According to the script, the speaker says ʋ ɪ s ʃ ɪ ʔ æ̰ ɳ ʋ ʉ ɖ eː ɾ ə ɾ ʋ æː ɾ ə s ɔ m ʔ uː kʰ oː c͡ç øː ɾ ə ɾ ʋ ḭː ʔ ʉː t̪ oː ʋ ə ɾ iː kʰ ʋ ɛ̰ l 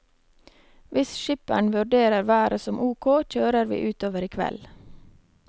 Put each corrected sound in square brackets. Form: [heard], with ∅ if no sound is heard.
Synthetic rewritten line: ʋ ɪ s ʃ ɪ [p] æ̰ ɳ ʋ ʉ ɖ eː ɾ ə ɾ ʋ æː ɾ ə s ɔ m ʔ uː kʰ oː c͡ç øː ɾ ə ɾ ʋ ḭː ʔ ʉː t̪ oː ʋ ə ɾ iː kʰ ʋ ɛ̰ l